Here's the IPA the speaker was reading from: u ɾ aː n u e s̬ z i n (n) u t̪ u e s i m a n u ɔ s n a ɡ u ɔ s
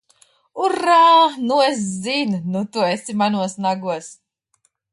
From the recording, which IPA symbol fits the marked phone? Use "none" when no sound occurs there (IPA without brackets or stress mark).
n